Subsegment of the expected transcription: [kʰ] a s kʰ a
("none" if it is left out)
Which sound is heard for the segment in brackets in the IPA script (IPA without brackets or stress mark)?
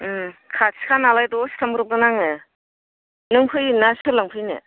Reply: kʰ